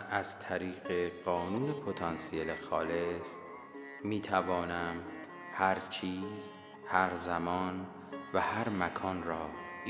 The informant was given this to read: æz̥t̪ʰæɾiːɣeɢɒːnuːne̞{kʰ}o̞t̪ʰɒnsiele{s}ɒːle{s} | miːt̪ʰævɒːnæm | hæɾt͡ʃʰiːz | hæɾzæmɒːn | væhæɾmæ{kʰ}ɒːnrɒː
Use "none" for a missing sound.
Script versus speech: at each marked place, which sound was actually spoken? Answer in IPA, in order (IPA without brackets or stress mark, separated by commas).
pʰ, x, s, kʰ